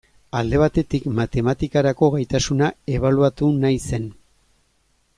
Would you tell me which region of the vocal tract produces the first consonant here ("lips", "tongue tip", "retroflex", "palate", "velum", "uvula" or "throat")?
tongue tip